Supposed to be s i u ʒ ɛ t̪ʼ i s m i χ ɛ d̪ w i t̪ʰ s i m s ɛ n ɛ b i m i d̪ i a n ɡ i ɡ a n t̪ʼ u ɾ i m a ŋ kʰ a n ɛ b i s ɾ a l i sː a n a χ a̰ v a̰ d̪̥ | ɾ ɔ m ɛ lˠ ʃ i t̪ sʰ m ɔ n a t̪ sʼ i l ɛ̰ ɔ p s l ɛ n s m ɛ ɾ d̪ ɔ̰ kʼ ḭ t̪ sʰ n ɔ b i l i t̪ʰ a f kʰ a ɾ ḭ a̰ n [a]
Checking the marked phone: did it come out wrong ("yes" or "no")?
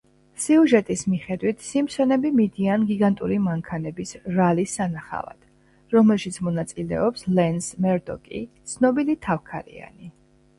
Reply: yes